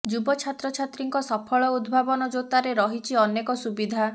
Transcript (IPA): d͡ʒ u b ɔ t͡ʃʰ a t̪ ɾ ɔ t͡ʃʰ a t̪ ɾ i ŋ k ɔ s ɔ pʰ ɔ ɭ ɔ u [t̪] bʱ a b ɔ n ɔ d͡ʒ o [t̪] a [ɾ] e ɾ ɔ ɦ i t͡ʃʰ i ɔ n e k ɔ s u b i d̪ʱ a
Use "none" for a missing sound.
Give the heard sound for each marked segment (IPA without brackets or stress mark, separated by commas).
d̪, t̪, ɾ